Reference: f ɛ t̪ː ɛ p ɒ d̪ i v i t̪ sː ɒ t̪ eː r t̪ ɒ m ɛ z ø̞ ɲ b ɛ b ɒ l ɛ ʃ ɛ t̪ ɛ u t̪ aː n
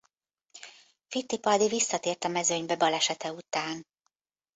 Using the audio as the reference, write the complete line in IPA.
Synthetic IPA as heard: f i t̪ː i p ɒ d̪ i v i sː ɒ t̪ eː r t̪ ɒ m ɛ z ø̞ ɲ b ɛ b ɒ l ɛ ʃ ɛ t̪ ɛ u t̪ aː n